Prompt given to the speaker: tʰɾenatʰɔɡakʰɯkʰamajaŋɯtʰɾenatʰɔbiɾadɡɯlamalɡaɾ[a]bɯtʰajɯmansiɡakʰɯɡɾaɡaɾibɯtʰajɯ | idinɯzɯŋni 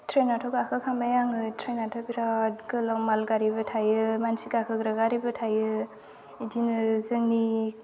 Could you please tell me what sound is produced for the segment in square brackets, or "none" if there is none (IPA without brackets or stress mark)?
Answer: i